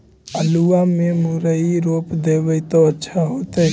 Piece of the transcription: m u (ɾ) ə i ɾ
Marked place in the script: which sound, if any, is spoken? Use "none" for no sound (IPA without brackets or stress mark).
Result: ɾ